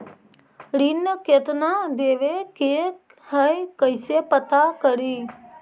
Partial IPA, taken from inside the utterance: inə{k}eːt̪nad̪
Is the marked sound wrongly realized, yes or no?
no